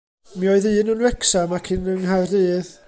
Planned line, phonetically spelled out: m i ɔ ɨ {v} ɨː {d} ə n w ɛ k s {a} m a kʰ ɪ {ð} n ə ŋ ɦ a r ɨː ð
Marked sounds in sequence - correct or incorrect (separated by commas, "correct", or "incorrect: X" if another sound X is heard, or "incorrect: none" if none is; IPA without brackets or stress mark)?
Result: incorrect: ð, incorrect: n, correct, incorrect: none